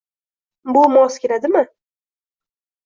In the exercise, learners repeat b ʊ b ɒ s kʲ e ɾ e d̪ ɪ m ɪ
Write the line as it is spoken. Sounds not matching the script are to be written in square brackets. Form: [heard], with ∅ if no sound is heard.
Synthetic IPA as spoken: b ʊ [m] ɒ s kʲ e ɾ [a] d̪ ɪ m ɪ